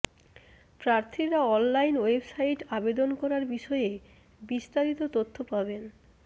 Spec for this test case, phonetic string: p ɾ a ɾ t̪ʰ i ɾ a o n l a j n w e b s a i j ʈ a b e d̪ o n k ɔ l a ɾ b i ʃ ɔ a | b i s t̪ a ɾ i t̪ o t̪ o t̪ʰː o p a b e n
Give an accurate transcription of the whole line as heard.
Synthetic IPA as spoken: p ɾ a ɾ t̪ʰ i ɾ a ɔ n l a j n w e b s a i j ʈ a b e d̪ o n k ɔ ɾ a ɾ b i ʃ ɔ e | b i s t̪ a ɾ i t̪ o t̪ o t̪ʰː o p a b e n